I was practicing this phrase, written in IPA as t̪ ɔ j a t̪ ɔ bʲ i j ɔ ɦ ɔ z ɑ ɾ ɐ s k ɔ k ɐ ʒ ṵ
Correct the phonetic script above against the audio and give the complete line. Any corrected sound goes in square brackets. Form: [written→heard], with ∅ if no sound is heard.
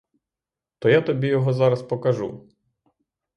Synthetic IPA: t̪ ɔ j a t̪ ɔ bʲ i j ɔ ɦ ɔ z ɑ ɾ ɐ s [k→p] ɔ k ɐ ʒ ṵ